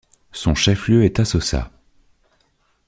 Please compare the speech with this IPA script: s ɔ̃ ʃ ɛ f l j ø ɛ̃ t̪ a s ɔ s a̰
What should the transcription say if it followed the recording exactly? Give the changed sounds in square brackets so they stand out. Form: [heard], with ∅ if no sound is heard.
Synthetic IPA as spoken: s ɔ̃ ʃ ɛ f l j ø [ɛ] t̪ a s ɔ s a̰